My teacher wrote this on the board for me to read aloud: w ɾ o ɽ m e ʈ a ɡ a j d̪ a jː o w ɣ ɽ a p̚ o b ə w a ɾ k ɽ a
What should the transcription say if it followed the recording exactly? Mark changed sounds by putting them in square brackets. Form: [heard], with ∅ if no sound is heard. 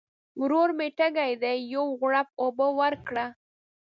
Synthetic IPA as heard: w ɾ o [ɾ] m e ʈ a ɡ a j d̪ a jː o w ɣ ɽ a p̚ o b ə w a ɾ k ɽ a